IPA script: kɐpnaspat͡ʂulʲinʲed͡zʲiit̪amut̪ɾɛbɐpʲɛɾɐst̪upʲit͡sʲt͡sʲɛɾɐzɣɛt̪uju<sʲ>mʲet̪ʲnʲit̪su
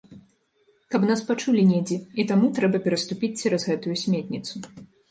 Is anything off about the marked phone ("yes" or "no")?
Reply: no